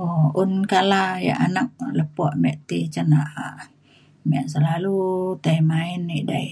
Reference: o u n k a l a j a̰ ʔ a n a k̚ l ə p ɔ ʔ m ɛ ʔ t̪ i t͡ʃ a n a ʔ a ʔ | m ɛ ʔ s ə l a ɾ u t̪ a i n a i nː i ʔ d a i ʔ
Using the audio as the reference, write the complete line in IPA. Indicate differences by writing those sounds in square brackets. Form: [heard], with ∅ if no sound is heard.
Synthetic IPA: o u n k a l a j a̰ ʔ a n a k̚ l ə p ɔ ʔ m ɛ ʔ t̪ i t͡ʃ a n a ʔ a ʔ | m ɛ ʔ s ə l a [l] u t̪ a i [m] a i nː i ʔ d a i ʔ